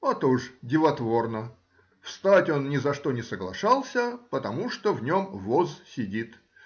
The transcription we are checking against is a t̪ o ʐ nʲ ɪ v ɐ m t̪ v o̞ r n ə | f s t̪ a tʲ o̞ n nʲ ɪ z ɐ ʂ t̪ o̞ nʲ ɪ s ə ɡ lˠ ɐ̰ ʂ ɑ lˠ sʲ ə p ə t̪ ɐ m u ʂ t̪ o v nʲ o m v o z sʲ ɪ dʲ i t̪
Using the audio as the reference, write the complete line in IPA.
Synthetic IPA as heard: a t̪ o ʐ dʲ ɪ v ɐ t̪ v o̞ r n ə | f s t̪ a tʲ o̞ n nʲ ɪ z ɐ ʂ t̪ o̞ nʲ ɪ s ə ɡ lˠ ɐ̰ ʂ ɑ lˠ sʲ ə p ə t̪ ɐ m u ʂ t̪ o v nʲ o m v o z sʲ ɪ dʲ i t̪

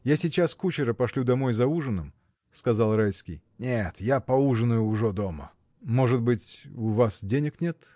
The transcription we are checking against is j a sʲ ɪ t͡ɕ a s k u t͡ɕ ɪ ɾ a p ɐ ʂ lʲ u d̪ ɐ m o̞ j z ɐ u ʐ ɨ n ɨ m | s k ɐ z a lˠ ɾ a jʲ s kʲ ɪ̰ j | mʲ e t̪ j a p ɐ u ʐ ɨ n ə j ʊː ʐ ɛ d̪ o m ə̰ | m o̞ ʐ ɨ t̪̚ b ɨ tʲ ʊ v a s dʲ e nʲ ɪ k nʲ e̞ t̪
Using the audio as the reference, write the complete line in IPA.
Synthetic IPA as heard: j a sʲ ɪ t͡ɕ a s k u t͡ɕ ɪ ɾ ə p ɐ ʂ lʲ u d̪ ɐ m o̞ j z ɐ u ʐ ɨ n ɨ m | s k ɐ z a lˠ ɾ a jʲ s kʲ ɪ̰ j | nʲ e t̪ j a p ɐ u ʐ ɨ n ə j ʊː ʐ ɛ d̪ o m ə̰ | m o̞ ʐ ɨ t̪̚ b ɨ tʲ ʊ v a s dʲ e nʲ ɪ k nʲ e̞ t̪

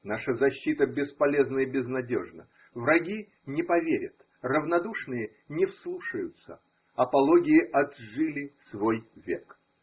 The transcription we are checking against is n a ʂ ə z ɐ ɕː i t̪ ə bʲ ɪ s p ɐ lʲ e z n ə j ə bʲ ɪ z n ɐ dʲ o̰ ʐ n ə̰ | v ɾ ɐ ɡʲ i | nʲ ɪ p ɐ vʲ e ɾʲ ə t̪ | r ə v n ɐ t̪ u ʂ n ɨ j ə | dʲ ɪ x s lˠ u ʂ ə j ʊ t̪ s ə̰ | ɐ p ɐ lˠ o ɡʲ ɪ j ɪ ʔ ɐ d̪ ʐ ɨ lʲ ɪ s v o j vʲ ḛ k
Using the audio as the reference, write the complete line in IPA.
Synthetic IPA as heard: n a ʂ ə z ɐ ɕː i t̪ ə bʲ ɪ s p ɐ lʲ e z n ə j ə bʲ ɪ z n ɐ dʲ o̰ ʐ n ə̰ | v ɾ ɐ ɡʲ i | nʲ ɪ p ɐ vʲ e ɾʲ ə t̪ | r ə v n ɐ d̪ u ʂ n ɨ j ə | nʲ ɪ f s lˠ u ʂ ə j ʊ t̪ s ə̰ | ɐ p ɐ lˠ o ɡʲ ɪ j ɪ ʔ ɐ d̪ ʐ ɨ lʲ ɪ s v o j vʲ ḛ k

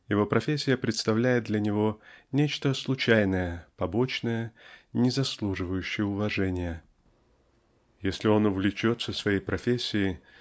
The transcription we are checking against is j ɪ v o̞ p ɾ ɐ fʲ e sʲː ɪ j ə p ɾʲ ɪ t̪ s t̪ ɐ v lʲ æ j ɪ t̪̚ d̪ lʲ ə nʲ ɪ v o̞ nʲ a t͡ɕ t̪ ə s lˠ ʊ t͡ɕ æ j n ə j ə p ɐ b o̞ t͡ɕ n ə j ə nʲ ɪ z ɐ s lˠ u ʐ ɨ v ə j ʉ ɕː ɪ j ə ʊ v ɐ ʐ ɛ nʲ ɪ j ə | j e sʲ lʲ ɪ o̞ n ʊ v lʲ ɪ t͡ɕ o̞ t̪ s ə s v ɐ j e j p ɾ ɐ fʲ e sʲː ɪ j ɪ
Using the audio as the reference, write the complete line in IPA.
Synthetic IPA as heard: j ɪ v o̞ p ɾ ɐ fʲ e sʲː ɪ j ə p ɾʲ ɪ t̪ s t̪ ɐ v lʲ æ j ɪ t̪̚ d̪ lʲ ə nʲ ɪ v o̞ nʲ e t͡ɕ t̪ ə s lˠ ʊ t͡ɕ æ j n ə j ə p ɐ b o̞ t͡ɕ n ə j ə nʲ ɪ z ɐ s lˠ u ʐ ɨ v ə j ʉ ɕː ɪ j ə ʊ v ɐ ʐ ɛ nʲ ɪ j ə | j e sʲ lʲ ɪ o̞ n ʊ v lʲ ɪ t͡ɕ o̞ t̪ s ə s v ɐ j e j p ɾ ɐ fʲ e sʲː ɪ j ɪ

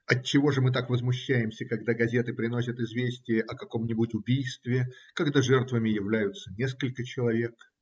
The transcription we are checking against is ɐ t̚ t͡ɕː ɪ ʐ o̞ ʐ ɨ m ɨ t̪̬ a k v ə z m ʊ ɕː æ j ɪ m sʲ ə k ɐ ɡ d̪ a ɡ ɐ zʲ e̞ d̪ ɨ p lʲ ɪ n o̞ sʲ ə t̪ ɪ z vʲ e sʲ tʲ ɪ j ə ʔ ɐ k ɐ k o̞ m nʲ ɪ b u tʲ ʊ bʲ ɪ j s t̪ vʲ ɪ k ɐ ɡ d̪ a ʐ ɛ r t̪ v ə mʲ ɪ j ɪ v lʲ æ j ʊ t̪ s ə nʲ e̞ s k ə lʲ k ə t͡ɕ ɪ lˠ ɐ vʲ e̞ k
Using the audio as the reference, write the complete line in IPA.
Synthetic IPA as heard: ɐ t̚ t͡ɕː ɪ v o̞ ʐ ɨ m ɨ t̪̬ a k v ə z m ʊ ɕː æ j ɪ m sʲ ə k ɐ ɡ d̪ a ɡ ɐ zʲ e̞ t̪ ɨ p ɾʲ ɪ n o̞ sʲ ə t̪ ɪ z vʲ e sʲ tʲ ɪ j ə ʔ ɐ k ɐ k o̞ m nʲ ɪ b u tʲ ʊ bʲ i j s t̪ vʲ ɪ k ɐ ɡ d̪ a ʐ ɛ r t̪ v ə mʲ ɪ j ɪ v lʲ æ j ʊ t̪ s ə nʲ e̞ s k ə lʲ k ə t͡ɕ ɪ lˠ ɐ vʲ e̞ k

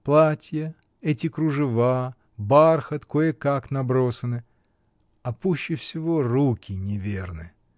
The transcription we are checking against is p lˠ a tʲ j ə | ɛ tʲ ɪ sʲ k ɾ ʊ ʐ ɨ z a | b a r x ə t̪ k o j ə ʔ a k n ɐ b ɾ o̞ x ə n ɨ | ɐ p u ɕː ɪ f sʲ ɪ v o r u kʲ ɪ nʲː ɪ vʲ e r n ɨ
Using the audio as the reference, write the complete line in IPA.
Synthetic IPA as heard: p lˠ a tʲ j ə | ɛ tʲ ɪ k ɾ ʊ ʐ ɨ v a | b a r x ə t̪ k o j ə k a k n ɐ b ɾ o̞ s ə n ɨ | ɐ p u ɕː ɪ f sʲ ɪ v o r u kʲ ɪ nʲ ɪ vʲ e r n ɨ

